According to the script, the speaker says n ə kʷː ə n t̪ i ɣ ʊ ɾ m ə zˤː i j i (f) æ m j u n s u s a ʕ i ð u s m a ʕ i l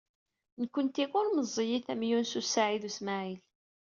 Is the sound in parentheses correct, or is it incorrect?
incorrect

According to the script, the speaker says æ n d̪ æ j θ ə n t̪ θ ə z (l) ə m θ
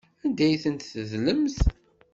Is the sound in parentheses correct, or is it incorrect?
correct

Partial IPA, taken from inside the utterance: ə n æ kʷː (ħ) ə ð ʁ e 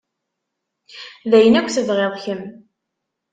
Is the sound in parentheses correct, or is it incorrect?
incorrect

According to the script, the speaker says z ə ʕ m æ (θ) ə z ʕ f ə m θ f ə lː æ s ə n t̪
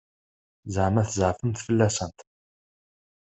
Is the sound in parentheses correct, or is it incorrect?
correct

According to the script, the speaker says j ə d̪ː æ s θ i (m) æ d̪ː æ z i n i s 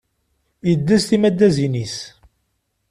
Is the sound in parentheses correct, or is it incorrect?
correct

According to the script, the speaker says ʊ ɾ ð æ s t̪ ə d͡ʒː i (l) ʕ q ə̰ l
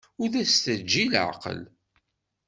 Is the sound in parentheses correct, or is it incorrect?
correct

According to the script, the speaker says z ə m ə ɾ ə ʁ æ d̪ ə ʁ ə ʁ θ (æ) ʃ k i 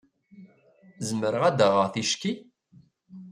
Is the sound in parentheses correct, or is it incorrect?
incorrect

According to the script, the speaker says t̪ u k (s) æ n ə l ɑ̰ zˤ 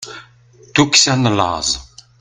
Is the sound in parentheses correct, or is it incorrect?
correct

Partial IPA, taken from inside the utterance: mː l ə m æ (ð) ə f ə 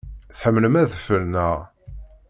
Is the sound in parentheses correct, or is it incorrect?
correct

